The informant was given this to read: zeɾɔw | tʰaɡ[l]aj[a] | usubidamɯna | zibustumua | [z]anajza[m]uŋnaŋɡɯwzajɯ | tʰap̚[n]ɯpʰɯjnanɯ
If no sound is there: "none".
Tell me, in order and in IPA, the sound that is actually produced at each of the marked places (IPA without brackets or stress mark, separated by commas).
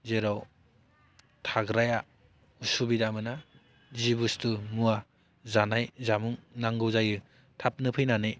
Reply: ɾ, a, z, m, n